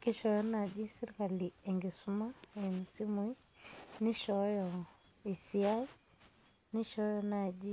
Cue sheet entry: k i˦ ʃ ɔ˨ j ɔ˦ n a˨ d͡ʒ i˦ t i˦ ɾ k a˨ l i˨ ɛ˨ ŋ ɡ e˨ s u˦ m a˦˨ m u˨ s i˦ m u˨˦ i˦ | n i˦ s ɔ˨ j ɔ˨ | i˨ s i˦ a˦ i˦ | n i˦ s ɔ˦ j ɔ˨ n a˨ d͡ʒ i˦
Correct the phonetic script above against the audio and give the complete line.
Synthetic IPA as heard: k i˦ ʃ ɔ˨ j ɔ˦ n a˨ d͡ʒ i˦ s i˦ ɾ k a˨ l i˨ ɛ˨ ŋ ɡ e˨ s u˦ m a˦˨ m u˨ s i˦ m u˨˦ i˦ | n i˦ ʃ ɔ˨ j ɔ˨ | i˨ s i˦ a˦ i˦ | n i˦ ʃ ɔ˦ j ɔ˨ n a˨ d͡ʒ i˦